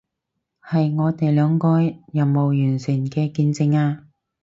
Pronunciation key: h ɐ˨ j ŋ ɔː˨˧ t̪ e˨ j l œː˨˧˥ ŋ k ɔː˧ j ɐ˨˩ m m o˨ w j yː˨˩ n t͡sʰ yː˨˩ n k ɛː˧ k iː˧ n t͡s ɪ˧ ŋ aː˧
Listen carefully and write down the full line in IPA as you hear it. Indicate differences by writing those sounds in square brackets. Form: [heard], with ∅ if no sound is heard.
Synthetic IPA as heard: h ɐ˨ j ŋ ɔː˨˧ t̪ e˨ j l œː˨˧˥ ŋ k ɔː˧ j ɐ˨˩ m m o˨ w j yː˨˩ n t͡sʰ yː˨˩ n k ɛː˧ k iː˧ n t͡s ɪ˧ ŋ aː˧